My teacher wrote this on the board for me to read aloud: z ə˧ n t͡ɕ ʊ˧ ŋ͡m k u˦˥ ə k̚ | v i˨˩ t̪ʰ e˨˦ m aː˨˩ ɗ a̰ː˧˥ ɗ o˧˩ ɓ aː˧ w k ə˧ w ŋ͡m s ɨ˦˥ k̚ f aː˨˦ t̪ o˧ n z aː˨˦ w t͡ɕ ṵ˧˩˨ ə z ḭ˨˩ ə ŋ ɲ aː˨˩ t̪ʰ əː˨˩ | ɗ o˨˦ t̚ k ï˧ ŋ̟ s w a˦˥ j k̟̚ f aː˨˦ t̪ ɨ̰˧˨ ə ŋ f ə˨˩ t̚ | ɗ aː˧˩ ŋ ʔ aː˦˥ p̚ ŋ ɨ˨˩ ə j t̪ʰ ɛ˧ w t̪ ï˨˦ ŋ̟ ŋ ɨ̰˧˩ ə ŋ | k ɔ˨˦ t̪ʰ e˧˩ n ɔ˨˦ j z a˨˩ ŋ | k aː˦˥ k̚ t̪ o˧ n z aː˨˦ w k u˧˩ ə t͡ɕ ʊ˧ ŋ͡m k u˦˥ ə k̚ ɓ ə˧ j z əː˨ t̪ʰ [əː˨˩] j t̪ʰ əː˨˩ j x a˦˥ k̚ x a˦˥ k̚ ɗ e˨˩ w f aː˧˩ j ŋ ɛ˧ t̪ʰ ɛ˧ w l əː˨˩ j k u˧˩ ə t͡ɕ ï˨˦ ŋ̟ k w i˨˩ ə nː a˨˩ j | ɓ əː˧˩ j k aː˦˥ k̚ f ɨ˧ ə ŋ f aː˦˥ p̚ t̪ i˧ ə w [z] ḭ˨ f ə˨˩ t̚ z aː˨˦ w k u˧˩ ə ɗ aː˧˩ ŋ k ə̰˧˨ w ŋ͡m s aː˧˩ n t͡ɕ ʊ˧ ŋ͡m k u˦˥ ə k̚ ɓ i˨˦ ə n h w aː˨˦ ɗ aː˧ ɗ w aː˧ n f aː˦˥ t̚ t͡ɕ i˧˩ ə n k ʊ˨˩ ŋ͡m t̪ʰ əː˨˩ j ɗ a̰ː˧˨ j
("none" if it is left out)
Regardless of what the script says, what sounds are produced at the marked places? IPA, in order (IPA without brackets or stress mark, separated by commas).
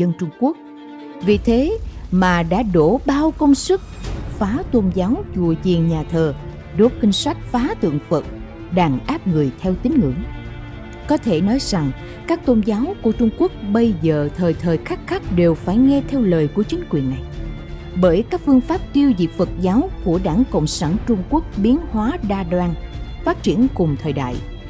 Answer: əː˨˩, z